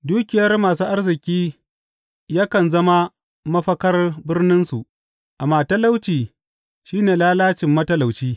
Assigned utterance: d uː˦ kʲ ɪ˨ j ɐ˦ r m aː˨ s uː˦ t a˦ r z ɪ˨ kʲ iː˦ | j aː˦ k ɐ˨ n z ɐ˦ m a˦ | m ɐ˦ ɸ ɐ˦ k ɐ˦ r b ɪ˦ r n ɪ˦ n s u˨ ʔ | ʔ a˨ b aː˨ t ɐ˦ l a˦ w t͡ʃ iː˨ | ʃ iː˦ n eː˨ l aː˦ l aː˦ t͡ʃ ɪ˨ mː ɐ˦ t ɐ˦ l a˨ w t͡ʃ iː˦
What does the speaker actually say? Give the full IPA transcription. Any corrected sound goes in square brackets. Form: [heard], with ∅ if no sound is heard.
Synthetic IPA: d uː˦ kʲ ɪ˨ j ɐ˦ r m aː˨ s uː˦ [ʔ] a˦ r z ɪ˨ kʲ iː˦ | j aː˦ k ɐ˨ n z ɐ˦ m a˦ | m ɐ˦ ɸ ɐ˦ k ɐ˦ r b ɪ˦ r n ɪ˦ n s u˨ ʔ | ʔ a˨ [m] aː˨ t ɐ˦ l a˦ w t͡ʃ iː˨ | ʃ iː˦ n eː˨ l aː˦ l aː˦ t͡ʃ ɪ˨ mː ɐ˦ t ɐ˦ l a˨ w t͡ʃ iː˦